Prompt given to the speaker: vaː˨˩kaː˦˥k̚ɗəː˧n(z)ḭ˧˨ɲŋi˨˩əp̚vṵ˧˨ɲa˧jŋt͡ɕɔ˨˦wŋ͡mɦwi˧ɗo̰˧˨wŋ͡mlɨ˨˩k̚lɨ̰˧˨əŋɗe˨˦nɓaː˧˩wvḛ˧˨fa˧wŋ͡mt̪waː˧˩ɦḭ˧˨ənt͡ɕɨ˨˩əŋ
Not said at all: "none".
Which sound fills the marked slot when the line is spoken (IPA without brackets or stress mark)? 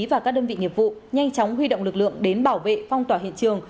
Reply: v